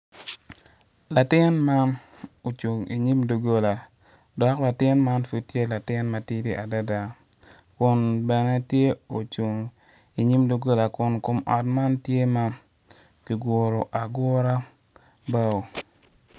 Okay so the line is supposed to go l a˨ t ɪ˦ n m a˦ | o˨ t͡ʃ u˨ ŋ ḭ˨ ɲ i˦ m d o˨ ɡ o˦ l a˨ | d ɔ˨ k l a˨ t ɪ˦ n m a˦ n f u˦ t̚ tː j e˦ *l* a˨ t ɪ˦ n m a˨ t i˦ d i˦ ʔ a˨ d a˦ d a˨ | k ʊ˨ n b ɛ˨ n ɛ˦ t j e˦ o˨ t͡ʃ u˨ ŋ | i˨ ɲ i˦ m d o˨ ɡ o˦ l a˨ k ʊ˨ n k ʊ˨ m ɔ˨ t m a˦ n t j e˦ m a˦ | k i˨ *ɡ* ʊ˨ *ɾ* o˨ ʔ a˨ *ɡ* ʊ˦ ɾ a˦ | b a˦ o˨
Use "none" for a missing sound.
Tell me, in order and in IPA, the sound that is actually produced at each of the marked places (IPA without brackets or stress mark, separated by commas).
l, ɡ, ɾ, ɡ